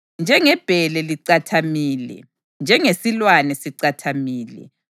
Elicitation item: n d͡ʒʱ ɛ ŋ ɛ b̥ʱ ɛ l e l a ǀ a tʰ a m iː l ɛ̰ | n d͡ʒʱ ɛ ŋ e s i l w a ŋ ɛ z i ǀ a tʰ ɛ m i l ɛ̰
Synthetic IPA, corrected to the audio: n d͡ʒʱ ɛ ŋ ɛ b̥ʱ ɛ l ɛ l i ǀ a tʰ a m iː l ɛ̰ | n d͡ʒʱ ɛ ŋ e s i l w a n ɛ s i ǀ a tʰ a m iː l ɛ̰